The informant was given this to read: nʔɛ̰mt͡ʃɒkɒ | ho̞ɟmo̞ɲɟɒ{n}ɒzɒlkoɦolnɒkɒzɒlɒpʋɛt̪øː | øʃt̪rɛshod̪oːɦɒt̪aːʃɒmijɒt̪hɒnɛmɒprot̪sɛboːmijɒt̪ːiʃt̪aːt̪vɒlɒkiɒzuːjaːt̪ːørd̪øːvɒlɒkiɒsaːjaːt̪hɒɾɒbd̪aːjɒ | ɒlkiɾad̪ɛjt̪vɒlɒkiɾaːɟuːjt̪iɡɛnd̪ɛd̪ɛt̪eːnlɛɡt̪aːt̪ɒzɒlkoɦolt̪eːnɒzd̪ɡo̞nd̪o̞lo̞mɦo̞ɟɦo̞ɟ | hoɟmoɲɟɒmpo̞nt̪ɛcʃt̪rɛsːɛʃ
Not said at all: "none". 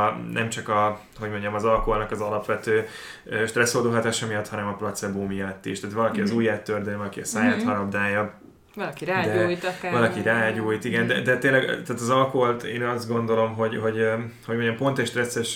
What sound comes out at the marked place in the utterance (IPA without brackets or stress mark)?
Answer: m